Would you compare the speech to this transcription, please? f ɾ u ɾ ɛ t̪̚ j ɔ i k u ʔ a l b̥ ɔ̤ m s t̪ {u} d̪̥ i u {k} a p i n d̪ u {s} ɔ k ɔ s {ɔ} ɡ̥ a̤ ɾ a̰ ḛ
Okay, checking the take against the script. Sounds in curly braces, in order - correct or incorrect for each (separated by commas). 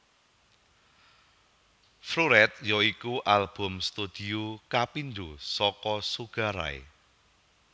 correct, correct, correct, incorrect